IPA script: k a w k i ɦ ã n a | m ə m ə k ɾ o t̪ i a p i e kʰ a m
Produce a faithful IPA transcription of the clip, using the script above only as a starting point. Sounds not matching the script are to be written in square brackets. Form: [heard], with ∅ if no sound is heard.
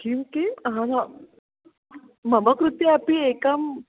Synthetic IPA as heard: k [i] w k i ɦ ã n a | m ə m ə k ɾ [u] t̪ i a p i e [k] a m